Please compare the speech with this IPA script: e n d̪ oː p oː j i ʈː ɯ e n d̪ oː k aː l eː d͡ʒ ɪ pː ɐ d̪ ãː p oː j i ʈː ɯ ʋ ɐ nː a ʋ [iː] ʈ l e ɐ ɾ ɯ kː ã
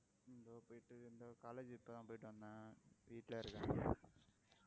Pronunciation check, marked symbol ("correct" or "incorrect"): correct